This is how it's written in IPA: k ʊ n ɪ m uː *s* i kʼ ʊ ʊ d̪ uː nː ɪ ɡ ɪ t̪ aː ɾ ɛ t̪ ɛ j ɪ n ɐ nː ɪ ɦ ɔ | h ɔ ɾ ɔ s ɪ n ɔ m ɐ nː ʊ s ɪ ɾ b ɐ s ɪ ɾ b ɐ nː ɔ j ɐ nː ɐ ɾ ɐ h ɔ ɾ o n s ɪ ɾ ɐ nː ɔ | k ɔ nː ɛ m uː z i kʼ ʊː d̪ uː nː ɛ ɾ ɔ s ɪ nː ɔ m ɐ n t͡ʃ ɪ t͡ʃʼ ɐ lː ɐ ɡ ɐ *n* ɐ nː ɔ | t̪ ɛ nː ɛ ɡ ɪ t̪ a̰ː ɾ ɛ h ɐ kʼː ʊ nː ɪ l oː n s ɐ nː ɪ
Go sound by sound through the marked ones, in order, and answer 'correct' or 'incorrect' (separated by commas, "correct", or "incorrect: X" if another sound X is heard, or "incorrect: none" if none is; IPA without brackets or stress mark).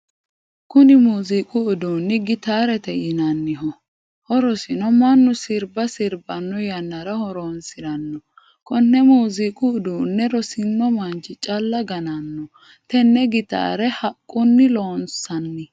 incorrect: z, correct